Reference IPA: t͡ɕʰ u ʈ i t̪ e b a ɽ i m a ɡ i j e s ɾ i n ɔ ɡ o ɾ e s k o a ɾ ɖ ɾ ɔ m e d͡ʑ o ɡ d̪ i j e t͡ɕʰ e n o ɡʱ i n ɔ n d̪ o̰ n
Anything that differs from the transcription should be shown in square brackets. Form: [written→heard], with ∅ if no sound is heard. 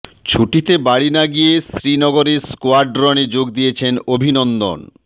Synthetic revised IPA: t͡ɕʰ u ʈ i t̪ e b a ɽ i [m→n] a ɡ i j e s ɾ i n ɔ ɡ o ɾ e s k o a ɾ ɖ ɾ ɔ [m→n] e d͡ʑ o ɡ d̪ i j e t͡ɕʰ e n o [ɡʱ→bʱ] i n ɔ n d̪ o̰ n